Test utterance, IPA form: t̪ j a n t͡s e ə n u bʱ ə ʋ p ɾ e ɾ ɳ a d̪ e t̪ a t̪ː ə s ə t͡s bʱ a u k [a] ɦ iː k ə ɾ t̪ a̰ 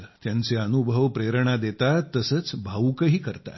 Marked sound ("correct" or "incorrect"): incorrect